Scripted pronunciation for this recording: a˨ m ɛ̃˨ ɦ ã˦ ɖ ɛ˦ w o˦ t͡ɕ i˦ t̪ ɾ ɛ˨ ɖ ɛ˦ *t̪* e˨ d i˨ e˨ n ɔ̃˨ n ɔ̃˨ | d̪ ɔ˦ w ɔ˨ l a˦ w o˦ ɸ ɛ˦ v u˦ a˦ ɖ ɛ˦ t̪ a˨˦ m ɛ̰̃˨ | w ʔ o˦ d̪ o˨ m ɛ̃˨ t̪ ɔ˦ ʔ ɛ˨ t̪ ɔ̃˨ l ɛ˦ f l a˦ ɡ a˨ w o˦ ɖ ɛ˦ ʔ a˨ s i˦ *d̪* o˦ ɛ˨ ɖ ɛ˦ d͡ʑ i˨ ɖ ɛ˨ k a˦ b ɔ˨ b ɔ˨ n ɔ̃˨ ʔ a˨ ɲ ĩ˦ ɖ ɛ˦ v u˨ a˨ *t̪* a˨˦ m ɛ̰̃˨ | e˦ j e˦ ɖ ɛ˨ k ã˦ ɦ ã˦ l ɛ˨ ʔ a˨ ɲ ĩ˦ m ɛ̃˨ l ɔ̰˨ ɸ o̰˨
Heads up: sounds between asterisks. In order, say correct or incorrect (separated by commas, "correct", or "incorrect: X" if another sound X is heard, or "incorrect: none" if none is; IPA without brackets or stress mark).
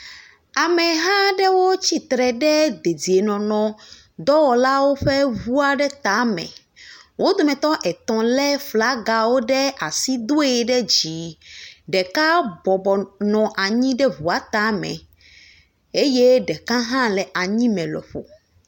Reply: incorrect: d̪, correct, correct